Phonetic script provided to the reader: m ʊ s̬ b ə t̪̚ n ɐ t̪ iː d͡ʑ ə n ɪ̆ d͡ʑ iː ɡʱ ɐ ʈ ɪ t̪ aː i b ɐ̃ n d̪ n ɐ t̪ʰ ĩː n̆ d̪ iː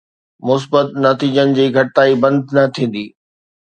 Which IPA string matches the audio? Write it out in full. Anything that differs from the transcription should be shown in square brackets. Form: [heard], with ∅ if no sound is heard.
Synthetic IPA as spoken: m ʊ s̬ b ə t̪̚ n ɐ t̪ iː d͡ʑ ə n ɪ̆ d͡ʑ iː ɡʱ ɐ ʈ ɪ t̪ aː i b ɐ̃ n d̪ n ɐ t̪ʰ ĩː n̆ d̪ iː